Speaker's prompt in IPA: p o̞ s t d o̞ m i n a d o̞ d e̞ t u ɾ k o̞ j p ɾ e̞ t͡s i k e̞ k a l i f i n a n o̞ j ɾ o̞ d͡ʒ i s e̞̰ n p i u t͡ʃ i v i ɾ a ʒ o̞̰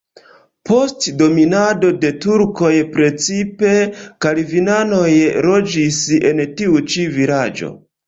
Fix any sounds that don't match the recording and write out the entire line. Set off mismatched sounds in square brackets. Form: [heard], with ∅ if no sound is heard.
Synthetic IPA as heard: p o̞ s t d o̞ m i n a d o̞ d e̞ t u ɾ k o̞ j p ɾ e̞ t͡s i [p] e̞ k a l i [v] i n a n o̞ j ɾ o̞ d͡ʒ i s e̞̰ n [t] i u t͡ʃ i v i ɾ a [d͡ʒ] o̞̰